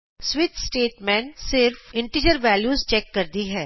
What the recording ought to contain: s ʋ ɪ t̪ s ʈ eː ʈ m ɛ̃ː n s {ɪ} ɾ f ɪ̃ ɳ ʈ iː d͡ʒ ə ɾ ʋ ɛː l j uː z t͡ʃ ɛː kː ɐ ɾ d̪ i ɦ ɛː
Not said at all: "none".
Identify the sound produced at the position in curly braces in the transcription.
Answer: ɪ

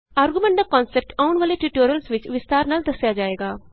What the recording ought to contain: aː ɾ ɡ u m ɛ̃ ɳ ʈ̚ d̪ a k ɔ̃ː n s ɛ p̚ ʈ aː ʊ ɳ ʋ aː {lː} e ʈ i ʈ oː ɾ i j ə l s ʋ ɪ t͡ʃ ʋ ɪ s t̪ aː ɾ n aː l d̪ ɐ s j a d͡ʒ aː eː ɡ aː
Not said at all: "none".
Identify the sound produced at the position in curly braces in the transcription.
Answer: l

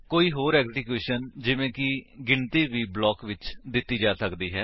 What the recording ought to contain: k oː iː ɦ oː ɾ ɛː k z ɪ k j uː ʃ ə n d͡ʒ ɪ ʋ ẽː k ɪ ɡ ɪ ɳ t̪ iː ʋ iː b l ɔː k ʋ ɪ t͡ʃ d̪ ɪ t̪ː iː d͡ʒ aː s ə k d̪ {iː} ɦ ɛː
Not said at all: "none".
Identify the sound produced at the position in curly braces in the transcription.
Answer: iː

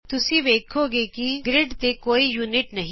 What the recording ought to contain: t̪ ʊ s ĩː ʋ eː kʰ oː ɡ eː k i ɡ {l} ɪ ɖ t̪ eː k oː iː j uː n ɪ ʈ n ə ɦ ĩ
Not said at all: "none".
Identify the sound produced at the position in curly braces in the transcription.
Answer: ɾ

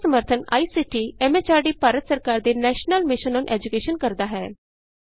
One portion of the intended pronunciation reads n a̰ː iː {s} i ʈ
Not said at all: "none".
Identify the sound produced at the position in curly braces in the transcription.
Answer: s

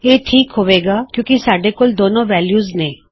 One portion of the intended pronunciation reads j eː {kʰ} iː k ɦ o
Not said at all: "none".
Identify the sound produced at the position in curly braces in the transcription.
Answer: ʈʰ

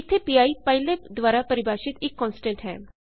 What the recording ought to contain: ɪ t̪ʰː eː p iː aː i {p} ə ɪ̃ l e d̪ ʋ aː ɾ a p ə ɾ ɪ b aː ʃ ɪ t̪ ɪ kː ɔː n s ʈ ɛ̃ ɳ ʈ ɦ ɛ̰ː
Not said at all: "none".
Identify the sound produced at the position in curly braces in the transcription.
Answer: p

